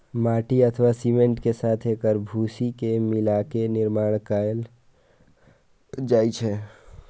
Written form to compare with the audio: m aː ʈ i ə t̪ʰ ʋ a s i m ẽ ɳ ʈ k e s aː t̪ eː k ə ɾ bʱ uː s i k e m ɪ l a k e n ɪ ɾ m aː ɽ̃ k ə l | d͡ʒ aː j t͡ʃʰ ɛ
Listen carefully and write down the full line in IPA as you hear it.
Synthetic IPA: m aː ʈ i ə t̪ʰ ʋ a s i m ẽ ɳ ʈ k e s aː t̪ʰ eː k ə ɾ bʱ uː s i k e m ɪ l a k e n ɪ ɾ m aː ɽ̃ k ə l | d͡ʒ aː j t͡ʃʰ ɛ